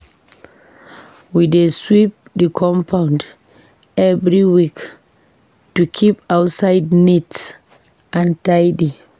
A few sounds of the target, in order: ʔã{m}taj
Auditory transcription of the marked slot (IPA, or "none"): n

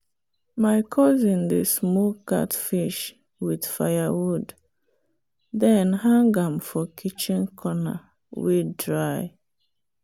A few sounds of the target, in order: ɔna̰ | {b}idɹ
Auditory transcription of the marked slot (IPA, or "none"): w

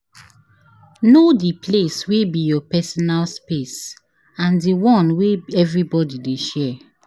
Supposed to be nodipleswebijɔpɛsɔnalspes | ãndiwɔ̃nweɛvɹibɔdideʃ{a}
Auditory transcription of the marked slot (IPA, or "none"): ɛ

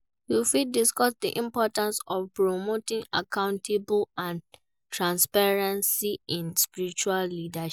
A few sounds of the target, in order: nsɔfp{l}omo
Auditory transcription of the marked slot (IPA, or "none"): ɹ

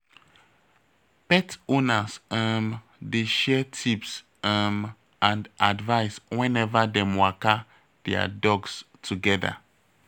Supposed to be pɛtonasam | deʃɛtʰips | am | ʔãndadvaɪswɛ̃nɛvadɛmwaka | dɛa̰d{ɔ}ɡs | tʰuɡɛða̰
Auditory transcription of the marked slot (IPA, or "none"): ɔ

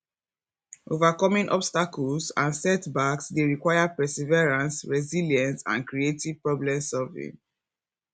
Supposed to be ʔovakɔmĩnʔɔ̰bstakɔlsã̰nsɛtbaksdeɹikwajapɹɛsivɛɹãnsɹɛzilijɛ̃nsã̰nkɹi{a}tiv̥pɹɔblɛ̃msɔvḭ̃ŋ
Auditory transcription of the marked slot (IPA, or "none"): e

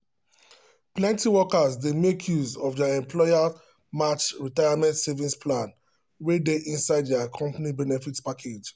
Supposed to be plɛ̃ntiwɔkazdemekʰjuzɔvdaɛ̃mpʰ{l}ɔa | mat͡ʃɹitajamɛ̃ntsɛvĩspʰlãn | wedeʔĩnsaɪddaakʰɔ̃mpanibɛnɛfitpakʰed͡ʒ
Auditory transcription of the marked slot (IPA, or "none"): l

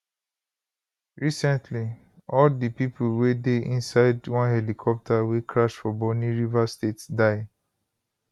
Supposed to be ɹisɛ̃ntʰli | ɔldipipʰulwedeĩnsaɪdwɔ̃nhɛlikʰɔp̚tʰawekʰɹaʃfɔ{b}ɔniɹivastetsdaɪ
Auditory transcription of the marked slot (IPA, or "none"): b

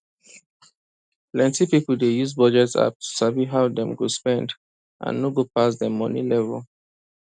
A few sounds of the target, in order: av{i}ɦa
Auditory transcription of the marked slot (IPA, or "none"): i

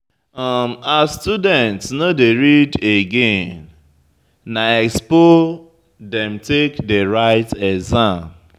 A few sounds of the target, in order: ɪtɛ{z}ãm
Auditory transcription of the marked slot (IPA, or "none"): z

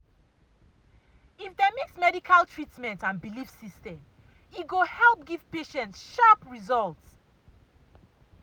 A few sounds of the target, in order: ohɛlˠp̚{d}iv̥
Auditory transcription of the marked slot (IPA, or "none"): ɡ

